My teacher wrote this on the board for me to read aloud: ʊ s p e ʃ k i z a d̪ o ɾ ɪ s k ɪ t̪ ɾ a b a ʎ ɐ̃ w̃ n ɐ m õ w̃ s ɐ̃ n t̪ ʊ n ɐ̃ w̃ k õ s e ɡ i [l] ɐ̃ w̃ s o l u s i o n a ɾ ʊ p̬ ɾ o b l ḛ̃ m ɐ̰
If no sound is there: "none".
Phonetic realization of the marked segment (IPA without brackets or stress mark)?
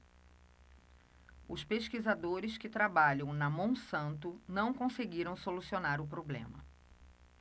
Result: ɾ